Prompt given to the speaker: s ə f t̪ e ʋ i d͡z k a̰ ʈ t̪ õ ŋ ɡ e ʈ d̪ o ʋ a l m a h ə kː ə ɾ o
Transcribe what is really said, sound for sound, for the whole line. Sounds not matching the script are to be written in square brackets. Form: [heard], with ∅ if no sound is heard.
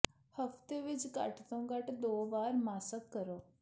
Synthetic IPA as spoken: [h] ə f t̪ e ʋ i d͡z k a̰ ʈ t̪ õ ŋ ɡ [a] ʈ d̪ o ʋ a [ɾ] m a [s] ə kː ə ɾ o